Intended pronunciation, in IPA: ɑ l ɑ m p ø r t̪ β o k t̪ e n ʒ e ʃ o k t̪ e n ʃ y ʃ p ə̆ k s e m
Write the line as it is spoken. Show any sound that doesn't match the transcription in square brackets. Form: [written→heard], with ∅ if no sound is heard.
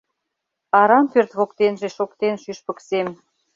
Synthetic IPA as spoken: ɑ [l→ɾ] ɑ m p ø r t̪ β o k t̪ e n ʒ e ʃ o k t̪ e n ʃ y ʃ p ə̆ k s e m